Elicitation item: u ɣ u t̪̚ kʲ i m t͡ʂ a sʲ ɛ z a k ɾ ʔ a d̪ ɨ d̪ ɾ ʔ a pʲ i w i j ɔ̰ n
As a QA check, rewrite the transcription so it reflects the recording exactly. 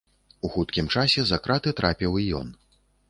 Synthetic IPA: u x u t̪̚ kʲ i m t͡ʂ a sʲ ɛ z a k ɾ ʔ a t̪ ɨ t̪ ɾ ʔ a pʲ i w i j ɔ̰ n